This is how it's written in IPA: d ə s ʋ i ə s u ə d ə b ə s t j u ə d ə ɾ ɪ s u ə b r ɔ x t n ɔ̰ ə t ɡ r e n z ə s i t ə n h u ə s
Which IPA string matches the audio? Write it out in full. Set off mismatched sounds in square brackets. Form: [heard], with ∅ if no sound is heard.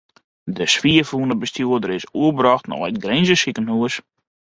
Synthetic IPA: d ə s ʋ i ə [f] u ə [n] ə b ə s t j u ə d ə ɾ ɪ s u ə b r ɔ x t n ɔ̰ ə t ɡ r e n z ə s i [k] ə n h u ə s

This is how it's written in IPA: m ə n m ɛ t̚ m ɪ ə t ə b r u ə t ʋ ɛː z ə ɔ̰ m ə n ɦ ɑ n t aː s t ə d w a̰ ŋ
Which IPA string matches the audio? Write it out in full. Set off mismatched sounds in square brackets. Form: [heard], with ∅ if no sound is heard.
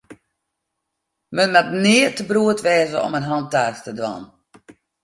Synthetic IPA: m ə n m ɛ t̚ [n] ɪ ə t ə b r u ə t ʋ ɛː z ə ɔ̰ m ə n ɦ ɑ n t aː s t ə d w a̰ [n]

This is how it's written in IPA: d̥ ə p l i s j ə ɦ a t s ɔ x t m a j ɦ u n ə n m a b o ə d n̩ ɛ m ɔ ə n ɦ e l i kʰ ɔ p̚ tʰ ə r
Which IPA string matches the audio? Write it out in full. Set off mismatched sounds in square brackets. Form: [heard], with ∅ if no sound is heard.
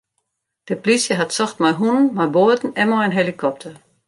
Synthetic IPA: d̥ ə p l i s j ə ɦ a t s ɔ x t m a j ɦ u n ə n m a b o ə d n̩ ɛ m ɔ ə n ɦ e l i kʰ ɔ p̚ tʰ ə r

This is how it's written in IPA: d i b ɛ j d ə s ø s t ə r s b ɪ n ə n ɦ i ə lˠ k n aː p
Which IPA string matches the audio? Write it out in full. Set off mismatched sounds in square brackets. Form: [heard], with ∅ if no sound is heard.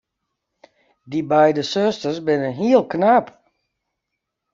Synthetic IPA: d i b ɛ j d ə s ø s t ə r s b ɪ n ə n ɦ i ə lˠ k n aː p

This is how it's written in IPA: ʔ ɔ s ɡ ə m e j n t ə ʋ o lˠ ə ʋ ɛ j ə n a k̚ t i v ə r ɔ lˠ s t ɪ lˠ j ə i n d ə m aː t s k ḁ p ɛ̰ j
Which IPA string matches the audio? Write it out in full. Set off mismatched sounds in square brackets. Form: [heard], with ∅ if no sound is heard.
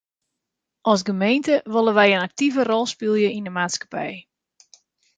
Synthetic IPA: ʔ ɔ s ɡ ə m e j n t ə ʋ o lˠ ə ʋ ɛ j ə n a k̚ t i v ə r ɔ lˠ s [p] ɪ lˠ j ə i n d ə m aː t s k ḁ p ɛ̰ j

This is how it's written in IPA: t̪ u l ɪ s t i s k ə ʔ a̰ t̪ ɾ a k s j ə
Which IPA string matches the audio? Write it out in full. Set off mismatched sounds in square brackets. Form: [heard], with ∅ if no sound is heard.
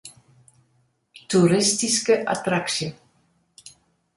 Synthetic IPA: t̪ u [ɾ] ɪ s t i s k ə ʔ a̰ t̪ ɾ a k s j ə

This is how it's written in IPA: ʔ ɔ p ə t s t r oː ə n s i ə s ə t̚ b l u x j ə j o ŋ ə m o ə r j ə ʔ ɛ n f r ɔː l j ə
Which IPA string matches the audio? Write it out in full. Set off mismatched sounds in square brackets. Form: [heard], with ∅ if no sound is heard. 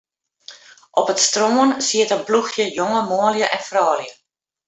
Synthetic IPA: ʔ ɔ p ə t s t r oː ə n s i ə [t] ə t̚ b l u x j ə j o ŋ ə m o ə [l] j ə ʔ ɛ n f r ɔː l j ə

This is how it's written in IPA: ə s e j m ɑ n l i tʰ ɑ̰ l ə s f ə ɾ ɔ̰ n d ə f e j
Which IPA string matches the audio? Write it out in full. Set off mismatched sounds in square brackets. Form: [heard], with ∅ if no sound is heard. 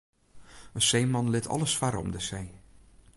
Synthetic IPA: ə s e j m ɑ n l [ɪ] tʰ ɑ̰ l ə s f [a] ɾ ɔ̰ [m] d ə [s] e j

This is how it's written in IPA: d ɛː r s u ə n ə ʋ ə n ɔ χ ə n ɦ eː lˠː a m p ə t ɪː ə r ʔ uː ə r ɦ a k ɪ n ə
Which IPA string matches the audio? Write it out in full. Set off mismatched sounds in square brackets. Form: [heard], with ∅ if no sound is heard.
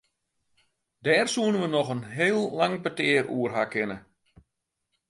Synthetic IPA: d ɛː r s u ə n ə ʋ ə n ɔ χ ə n ɦ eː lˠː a [ŋ] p ə t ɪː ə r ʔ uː ə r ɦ a k ɪ n ə

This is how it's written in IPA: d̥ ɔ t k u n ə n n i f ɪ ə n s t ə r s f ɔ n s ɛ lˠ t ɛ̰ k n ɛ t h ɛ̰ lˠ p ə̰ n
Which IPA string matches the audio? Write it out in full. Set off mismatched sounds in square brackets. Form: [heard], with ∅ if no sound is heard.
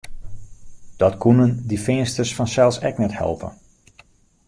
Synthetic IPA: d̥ ɔ t k u n ə n [d] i f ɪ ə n s t ə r s f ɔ n s ɛ lˠ [s] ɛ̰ k n ɛ t h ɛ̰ lˠ p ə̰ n

